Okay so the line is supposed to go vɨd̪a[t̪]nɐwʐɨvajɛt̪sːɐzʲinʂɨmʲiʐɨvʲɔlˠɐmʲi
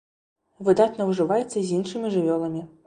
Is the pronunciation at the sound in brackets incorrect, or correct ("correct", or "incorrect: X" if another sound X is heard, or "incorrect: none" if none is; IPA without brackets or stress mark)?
correct